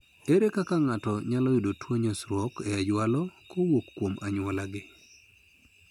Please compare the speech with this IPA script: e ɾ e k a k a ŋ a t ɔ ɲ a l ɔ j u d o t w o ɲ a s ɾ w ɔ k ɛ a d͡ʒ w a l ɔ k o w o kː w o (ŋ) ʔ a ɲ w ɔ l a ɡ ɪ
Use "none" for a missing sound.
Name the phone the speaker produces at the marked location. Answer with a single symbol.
m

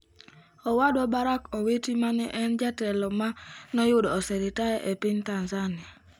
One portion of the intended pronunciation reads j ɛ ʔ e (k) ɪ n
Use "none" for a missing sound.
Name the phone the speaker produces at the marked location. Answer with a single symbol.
p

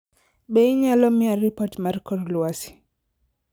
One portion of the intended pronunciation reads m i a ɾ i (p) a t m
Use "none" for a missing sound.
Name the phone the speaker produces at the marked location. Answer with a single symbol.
p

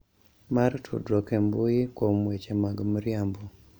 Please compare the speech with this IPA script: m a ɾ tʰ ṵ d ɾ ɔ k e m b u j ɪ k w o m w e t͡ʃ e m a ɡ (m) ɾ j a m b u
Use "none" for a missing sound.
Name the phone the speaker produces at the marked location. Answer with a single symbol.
m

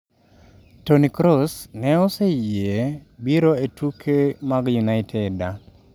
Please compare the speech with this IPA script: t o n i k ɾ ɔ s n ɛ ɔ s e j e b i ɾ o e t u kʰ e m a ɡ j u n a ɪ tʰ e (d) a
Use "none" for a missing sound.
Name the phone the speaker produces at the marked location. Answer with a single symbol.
d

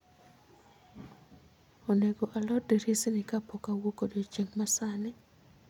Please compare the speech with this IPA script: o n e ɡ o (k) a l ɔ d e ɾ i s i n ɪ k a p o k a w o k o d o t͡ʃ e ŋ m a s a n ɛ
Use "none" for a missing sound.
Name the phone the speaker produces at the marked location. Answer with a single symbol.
ʔ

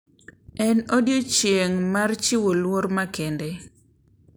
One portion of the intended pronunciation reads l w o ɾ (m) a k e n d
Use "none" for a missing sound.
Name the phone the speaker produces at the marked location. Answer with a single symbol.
m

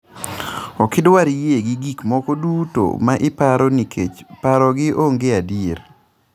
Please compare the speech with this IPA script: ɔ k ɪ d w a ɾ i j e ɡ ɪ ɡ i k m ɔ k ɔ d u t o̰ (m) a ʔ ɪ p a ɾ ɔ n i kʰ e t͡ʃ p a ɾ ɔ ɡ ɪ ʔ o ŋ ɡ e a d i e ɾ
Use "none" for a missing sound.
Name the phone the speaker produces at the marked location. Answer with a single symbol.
m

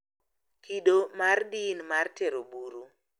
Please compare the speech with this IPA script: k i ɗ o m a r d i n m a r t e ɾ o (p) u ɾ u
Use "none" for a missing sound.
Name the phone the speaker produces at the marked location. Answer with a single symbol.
b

